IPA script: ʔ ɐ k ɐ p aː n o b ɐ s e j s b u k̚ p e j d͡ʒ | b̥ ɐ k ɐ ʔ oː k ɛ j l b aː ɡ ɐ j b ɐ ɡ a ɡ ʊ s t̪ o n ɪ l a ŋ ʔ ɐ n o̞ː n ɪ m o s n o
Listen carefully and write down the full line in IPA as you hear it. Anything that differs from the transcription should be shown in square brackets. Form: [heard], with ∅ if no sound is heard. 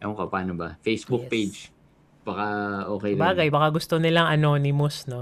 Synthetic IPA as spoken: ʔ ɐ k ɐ p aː n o b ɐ [f] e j s b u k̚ p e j d͡ʒ | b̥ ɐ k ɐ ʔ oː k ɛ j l b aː ɡ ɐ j b ɐ [k] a ɡ ʊ s t̪ o n ɪ l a ŋ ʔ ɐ n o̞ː n ɪ m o s n o